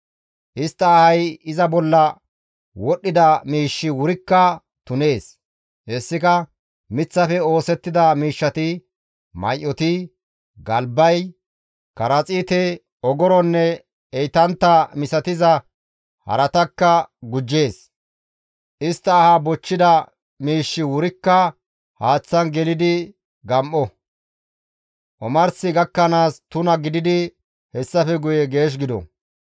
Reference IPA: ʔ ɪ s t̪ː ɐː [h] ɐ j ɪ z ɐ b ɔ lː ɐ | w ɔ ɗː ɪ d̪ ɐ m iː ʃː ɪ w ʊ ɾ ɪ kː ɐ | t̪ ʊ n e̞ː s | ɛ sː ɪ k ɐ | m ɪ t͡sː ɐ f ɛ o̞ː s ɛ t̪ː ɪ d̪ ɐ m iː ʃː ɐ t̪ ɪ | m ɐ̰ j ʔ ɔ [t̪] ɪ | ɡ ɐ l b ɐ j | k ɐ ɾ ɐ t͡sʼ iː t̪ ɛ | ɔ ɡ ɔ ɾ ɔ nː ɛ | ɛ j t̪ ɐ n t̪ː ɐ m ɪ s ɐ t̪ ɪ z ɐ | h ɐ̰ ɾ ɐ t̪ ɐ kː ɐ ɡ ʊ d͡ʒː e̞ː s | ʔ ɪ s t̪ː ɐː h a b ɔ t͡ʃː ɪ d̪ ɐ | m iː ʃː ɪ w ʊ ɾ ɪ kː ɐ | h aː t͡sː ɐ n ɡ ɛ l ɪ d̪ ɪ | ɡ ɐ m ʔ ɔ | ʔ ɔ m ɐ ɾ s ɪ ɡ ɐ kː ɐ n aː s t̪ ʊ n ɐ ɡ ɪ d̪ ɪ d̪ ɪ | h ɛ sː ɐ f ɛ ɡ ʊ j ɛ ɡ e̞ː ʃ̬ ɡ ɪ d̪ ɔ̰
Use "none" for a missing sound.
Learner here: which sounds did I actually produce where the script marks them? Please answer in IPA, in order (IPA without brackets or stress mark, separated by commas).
h, t̪